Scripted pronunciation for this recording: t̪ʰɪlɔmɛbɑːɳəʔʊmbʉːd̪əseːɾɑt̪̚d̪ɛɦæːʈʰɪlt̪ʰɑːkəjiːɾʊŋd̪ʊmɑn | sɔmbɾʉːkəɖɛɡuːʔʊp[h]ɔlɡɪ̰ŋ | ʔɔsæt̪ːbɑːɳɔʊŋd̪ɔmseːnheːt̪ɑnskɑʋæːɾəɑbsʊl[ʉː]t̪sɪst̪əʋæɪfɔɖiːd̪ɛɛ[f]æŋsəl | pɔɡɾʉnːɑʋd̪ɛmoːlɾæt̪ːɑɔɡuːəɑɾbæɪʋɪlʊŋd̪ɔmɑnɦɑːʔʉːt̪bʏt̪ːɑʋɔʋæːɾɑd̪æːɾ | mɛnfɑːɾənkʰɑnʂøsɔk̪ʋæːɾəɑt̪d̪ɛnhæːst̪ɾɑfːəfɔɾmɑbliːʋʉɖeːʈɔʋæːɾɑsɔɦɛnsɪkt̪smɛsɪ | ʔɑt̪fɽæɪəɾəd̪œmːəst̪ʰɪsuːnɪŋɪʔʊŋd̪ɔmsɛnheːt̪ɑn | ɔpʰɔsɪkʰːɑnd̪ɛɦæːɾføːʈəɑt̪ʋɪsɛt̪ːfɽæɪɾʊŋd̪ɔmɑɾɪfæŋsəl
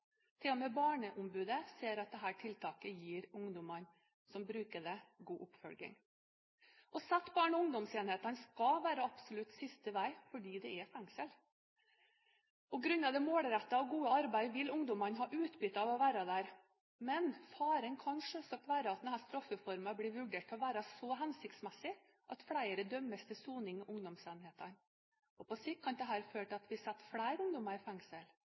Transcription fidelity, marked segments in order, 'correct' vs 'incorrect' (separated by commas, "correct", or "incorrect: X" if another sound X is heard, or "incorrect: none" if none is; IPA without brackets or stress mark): incorrect: f, incorrect: ʉ, correct